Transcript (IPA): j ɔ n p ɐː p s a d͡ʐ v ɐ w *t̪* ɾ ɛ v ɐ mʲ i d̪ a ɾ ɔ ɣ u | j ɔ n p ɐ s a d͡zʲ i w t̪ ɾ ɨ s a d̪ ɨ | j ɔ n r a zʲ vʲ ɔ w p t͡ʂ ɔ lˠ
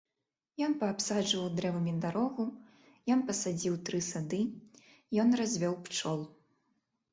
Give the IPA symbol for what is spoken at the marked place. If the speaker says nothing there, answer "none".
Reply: d̪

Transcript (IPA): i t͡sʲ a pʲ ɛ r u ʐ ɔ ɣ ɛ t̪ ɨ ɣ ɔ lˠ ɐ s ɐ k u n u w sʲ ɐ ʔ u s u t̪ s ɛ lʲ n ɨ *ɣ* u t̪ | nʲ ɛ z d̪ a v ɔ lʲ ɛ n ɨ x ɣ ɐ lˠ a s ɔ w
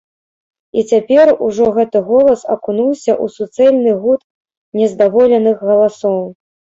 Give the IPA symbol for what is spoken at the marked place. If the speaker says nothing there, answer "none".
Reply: ɣ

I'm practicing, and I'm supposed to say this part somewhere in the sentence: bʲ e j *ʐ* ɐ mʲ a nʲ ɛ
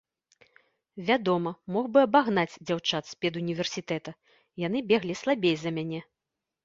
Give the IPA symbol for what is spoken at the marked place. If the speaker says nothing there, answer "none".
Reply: z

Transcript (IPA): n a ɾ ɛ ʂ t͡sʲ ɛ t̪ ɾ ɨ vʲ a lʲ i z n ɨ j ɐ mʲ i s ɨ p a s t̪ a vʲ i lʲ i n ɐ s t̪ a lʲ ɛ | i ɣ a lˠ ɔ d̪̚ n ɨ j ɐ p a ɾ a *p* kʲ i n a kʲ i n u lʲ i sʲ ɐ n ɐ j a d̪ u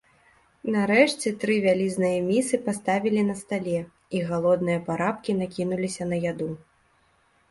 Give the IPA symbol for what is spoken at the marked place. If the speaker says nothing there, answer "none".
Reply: p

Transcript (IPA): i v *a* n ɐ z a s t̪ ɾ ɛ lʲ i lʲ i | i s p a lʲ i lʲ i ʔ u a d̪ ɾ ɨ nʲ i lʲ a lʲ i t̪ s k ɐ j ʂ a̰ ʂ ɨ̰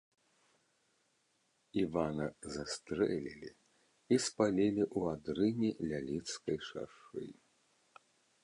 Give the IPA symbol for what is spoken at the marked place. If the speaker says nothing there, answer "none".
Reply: a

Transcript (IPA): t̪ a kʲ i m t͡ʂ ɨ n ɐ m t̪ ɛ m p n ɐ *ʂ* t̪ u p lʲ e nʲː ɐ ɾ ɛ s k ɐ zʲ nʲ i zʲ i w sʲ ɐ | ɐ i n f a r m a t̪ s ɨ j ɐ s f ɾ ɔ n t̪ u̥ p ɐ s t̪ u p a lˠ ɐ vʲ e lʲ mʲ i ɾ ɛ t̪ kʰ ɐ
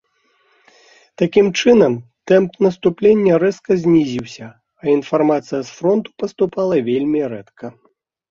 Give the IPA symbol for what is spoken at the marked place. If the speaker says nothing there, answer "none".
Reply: s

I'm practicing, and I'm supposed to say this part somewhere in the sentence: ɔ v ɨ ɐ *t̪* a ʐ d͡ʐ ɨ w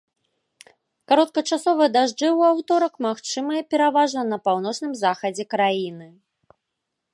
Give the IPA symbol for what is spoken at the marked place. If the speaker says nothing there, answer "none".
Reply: d̪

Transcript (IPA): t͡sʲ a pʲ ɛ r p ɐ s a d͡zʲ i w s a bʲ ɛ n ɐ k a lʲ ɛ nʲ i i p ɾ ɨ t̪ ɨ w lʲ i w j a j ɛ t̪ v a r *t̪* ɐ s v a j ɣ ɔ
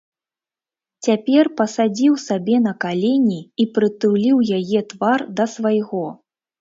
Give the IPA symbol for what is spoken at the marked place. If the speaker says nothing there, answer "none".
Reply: d̪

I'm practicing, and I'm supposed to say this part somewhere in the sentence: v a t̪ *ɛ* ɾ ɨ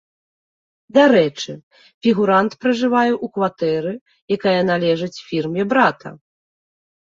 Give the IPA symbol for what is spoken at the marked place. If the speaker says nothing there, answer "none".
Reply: ɛ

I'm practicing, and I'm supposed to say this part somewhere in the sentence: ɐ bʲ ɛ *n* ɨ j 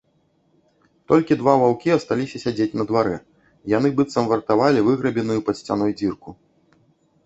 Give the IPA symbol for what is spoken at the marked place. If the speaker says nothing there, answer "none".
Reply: n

